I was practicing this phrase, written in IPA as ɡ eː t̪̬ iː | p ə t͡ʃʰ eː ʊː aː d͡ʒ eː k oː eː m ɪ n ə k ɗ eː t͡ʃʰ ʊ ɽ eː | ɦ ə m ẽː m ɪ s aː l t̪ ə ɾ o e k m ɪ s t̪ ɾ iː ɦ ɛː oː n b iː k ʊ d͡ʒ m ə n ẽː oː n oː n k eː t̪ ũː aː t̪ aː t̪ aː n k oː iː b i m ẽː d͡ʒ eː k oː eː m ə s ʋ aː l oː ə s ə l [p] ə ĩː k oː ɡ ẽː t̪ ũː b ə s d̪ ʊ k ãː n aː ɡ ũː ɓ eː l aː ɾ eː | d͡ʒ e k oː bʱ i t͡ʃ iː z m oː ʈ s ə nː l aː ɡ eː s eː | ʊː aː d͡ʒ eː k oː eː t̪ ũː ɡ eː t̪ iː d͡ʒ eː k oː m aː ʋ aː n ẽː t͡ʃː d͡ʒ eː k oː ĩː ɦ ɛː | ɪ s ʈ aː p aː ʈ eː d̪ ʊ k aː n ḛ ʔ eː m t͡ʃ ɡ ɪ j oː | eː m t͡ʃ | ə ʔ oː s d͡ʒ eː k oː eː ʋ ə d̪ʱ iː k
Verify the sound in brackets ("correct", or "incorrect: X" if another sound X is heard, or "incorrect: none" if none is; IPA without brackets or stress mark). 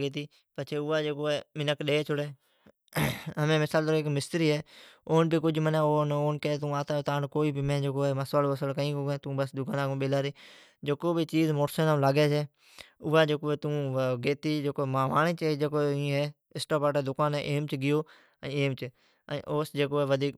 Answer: incorrect: k